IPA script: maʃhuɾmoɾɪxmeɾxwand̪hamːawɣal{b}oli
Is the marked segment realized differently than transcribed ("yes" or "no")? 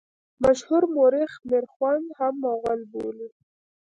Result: no